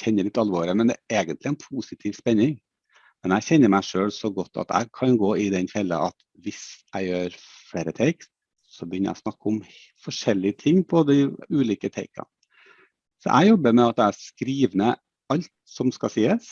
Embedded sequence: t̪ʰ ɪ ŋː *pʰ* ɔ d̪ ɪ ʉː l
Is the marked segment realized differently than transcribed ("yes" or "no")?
no